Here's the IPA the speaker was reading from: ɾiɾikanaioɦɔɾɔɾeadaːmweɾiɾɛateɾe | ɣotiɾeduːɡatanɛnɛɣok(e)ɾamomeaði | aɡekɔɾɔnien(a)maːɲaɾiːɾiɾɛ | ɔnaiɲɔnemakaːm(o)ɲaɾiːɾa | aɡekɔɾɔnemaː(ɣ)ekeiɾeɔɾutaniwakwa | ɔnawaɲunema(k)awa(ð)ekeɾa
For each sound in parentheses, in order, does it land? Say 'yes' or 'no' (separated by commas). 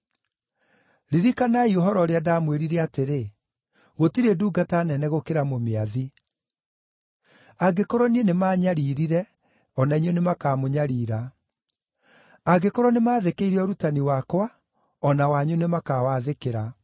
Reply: yes, no, yes, no, yes, yes